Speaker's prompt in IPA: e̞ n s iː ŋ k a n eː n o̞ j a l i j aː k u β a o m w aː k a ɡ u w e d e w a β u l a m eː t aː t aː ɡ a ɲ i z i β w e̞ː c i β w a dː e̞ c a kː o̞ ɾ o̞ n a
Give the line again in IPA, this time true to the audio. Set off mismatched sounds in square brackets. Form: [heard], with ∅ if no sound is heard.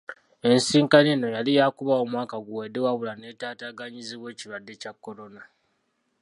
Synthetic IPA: e̞ n s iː ŋ k a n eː n o̞ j a l i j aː k u β a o m w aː k a ɡ u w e d e w a β u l a [n] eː t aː t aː ɡ a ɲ i z i β w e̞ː c i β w a dː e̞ c a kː o̞ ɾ o̞ n a